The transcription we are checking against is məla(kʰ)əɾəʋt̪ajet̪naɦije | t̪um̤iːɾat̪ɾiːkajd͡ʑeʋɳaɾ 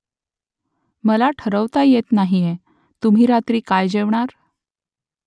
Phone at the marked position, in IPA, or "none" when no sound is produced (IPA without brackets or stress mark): ʈʰ